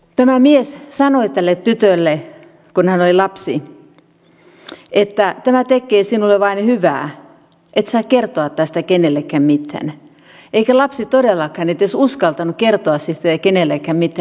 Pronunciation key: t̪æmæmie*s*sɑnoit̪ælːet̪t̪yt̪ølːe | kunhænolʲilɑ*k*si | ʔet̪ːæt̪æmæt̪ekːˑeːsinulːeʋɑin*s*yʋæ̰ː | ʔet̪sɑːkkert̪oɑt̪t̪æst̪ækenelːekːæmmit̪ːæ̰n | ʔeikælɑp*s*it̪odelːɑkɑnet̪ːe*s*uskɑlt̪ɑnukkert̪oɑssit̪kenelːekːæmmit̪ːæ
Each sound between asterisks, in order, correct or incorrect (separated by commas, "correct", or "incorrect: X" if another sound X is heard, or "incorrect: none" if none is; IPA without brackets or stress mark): correct, incorrect: p, incorrect: h, correct, correct